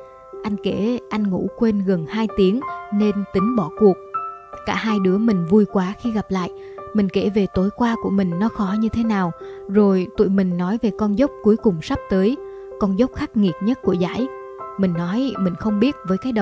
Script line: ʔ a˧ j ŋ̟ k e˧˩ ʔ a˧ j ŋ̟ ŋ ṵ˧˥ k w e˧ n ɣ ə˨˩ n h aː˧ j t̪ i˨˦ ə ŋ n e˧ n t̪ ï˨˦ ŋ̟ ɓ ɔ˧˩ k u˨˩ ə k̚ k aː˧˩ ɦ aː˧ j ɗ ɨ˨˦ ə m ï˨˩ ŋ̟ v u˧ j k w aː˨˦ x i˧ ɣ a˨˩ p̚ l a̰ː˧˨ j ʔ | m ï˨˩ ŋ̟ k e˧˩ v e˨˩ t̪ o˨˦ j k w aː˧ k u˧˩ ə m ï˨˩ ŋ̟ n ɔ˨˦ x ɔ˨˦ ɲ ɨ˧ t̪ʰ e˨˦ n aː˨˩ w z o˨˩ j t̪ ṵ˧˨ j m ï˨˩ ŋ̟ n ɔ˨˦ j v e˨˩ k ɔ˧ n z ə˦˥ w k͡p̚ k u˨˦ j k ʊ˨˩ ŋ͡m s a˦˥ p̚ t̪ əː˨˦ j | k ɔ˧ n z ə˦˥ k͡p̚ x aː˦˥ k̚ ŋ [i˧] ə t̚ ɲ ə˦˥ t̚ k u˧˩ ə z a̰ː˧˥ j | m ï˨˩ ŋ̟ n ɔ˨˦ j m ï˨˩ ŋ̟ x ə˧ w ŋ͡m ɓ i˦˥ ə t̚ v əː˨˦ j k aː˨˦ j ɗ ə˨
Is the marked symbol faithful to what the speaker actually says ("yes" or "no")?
no